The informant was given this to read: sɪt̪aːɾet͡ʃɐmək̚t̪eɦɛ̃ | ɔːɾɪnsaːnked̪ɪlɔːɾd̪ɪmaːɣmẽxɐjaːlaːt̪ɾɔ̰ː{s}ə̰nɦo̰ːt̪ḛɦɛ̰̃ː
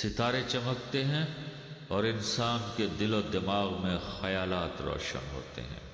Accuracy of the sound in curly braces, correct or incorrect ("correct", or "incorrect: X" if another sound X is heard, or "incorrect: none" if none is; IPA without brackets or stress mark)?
incorrect: ʃ